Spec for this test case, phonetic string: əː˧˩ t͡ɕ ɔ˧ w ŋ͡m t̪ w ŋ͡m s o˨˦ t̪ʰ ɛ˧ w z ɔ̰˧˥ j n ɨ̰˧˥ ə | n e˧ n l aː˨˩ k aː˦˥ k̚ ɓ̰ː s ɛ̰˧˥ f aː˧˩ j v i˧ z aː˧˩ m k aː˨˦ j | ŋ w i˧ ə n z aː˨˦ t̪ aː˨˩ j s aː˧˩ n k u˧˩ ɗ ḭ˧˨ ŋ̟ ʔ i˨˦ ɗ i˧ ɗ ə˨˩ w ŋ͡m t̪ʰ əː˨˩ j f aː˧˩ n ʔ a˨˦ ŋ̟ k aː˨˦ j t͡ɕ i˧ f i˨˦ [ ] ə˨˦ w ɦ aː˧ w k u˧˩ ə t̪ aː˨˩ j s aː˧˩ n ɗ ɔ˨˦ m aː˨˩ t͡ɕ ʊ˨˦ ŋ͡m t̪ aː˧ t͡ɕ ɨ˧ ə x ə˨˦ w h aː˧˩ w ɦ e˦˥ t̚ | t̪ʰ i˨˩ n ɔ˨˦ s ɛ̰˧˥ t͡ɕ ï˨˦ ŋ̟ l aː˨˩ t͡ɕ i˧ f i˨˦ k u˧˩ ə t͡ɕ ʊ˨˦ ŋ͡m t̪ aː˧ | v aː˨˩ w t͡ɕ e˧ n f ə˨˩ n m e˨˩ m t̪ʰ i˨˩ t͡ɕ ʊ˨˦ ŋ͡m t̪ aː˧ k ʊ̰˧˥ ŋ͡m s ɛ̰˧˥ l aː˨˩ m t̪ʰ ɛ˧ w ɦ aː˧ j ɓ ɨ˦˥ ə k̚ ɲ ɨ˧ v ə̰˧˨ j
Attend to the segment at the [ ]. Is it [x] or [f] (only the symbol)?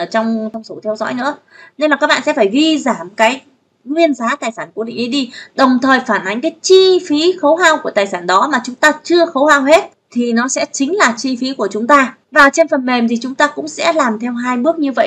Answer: x